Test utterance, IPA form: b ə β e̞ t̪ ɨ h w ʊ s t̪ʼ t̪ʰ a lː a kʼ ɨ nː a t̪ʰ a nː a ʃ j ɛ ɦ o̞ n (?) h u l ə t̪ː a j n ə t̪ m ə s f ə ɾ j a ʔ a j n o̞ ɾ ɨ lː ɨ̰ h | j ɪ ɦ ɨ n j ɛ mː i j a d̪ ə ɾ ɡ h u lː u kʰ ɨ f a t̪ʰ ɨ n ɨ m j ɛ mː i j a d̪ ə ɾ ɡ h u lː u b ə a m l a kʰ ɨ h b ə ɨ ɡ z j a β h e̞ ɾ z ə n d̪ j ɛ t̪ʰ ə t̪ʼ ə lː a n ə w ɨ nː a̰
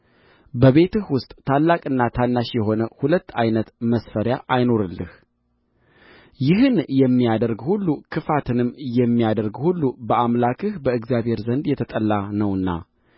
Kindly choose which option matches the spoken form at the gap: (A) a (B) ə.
B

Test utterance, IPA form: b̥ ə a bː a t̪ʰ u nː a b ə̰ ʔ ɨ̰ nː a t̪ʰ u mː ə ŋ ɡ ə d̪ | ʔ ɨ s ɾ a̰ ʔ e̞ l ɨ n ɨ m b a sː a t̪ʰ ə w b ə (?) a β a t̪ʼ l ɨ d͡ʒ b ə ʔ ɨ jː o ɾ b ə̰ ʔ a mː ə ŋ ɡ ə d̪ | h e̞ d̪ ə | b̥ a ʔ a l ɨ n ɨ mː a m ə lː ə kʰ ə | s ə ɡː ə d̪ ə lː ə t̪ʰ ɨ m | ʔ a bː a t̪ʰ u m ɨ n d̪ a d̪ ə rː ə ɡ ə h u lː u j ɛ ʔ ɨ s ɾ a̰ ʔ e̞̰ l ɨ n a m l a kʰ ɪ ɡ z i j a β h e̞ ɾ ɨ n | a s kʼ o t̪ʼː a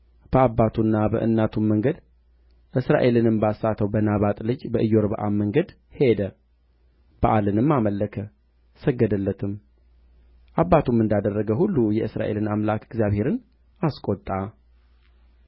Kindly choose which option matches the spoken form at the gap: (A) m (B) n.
B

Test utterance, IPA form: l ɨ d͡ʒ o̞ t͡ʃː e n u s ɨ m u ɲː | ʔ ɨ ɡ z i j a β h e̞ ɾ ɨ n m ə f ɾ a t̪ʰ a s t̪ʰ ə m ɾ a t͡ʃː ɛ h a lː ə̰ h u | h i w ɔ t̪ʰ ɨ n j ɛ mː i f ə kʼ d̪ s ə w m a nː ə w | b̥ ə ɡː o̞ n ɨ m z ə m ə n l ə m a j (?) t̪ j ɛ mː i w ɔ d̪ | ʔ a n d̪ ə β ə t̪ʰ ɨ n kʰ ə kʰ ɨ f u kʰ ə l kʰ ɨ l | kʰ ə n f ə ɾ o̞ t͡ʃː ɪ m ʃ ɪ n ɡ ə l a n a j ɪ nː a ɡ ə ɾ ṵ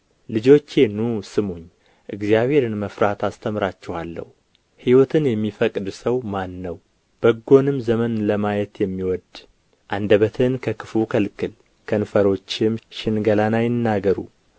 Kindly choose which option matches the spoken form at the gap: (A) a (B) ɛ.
B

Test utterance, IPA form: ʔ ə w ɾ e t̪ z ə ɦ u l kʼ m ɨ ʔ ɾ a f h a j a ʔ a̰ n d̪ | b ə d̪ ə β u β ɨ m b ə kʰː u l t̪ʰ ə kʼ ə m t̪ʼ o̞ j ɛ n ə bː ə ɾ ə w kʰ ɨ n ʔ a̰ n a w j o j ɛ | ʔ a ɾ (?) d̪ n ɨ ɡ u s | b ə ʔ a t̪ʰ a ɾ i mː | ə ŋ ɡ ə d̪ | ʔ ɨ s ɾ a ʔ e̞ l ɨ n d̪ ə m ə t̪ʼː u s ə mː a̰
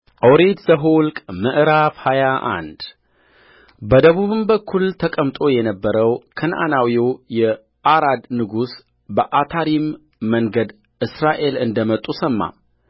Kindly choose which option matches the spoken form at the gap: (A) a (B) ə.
A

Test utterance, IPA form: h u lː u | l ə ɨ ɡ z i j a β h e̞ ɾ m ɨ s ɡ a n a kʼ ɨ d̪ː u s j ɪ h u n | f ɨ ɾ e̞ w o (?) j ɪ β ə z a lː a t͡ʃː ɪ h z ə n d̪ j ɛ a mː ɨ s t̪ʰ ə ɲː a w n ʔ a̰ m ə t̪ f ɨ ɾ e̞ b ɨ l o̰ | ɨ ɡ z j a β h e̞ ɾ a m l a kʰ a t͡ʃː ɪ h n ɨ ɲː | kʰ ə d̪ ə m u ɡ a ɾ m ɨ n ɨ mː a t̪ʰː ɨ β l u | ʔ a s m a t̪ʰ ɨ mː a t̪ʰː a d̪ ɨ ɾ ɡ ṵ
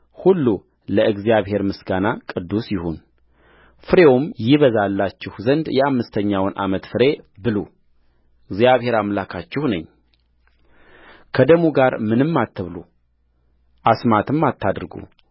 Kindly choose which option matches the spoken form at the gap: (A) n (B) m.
B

